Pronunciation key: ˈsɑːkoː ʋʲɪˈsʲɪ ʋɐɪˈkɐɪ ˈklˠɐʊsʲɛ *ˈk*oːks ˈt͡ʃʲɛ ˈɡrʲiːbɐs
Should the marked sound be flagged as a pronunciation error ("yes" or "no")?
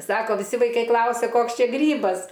no